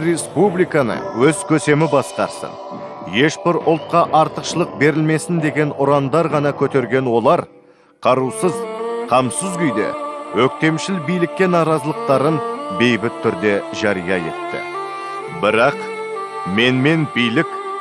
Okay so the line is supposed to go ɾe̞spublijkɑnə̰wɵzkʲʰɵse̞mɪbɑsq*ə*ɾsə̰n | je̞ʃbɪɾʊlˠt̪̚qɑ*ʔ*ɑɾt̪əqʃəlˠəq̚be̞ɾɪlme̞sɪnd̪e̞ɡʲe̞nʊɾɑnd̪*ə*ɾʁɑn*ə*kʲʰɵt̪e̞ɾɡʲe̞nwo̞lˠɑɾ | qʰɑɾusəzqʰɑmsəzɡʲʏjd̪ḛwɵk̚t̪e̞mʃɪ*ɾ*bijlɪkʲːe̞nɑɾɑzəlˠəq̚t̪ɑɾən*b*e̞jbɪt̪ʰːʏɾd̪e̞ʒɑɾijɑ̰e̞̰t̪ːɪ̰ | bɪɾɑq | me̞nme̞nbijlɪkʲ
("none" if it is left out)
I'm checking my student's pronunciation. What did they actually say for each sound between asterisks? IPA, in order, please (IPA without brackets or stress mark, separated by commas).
ɑ, ʔ, ɑ, ɑ, l, b